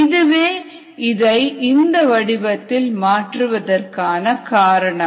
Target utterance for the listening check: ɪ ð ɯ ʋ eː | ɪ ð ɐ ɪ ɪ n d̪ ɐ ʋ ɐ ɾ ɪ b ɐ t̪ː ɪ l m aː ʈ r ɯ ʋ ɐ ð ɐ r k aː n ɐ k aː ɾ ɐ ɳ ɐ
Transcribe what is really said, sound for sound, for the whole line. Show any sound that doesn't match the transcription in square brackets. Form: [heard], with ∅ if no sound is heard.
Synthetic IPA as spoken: ɪ ð ɯ ʋ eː | ɪ ð ɐ ɪ ɪ n d̪ ɐ ʋ ɐ [ɽ] ɪ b ɐ t̪ː ɪ l m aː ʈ r ɯ ʋ ɐ ð ɐ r k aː n ɐ k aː ɾ ɐ ɳ ɐ